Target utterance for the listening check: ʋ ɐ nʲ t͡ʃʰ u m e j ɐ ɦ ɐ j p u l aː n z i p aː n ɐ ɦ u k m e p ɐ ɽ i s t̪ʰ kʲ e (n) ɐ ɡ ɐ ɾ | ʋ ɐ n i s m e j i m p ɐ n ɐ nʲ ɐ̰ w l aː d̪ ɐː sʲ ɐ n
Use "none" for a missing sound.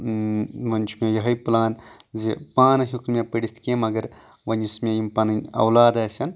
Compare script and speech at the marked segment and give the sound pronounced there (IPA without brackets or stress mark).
m